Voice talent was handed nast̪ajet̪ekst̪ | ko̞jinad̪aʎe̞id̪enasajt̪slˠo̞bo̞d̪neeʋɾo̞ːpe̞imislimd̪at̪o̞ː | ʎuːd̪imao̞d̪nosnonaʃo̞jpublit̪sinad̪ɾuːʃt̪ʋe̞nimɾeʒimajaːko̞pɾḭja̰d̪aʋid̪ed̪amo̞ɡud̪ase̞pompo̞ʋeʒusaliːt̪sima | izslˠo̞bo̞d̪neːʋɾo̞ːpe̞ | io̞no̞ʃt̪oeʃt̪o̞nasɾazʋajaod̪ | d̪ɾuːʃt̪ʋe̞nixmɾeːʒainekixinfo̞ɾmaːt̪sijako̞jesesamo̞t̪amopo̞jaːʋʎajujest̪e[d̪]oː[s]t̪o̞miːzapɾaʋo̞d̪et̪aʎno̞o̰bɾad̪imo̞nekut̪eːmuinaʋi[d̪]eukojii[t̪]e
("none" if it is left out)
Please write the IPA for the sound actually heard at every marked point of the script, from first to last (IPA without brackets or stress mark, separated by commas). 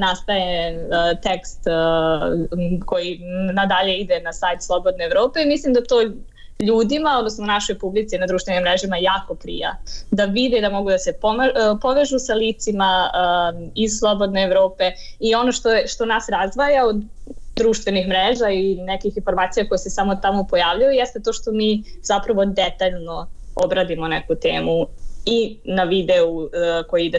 t̪, ʃ, d̪, d̪